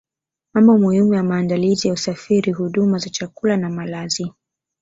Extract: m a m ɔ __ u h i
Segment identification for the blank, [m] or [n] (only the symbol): m